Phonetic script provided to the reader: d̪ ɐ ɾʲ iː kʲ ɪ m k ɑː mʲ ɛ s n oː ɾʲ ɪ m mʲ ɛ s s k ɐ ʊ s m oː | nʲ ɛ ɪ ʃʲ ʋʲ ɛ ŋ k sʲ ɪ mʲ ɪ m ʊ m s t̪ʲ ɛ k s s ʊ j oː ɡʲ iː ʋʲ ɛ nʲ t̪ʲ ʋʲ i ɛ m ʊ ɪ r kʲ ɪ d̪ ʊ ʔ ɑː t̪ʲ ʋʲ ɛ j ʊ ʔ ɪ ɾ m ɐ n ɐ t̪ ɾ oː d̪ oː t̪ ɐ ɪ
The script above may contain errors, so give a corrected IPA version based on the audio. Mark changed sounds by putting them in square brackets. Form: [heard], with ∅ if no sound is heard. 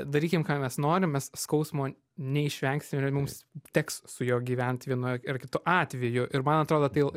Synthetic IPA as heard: d̪ ɐ ɾʲ iː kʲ ɪ m k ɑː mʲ ɛ s n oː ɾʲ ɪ m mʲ ɛ s s k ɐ ʊ s m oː | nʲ ɛ ɪ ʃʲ ʋʲ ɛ ŋ k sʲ ɪ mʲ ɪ m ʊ m s t̪ʲ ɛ k s s ʊ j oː ɡʲ iː ʋʲ ɛ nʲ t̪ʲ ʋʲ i ɛ [n] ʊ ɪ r kʲ ɪ [t̪] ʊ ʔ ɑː t̪ʲ ʋʲ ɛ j ʊ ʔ ɪ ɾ m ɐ n ɐ t̪ ɾ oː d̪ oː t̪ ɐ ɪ